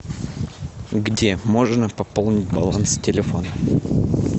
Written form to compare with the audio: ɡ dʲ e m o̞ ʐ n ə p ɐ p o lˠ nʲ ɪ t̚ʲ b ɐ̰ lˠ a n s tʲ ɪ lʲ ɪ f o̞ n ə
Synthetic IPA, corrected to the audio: ɡ dʲ e m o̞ ʐ n ə p ɐ p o lˠ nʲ ɪ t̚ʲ b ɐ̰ lˠ a n s tʲ ɪ lʲ ɪ f o̞ n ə